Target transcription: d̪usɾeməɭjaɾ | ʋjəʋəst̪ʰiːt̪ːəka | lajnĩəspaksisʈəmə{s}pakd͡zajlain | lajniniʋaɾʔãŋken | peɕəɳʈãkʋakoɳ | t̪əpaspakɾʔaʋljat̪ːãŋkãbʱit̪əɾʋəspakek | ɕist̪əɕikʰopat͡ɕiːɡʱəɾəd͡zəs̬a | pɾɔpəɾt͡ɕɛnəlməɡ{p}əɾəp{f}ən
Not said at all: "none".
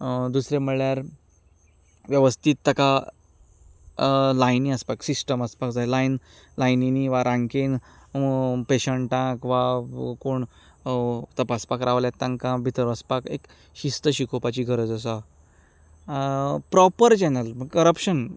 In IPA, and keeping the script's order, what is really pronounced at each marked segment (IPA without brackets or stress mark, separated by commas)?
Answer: s, k, ɕ